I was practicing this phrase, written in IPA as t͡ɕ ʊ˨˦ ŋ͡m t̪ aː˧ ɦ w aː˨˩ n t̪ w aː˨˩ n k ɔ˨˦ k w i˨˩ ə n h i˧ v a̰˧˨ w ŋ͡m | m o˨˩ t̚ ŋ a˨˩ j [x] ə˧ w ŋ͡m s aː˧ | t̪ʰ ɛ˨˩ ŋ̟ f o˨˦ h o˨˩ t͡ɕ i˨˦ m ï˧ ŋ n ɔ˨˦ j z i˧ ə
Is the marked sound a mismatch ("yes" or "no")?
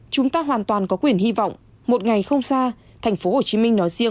no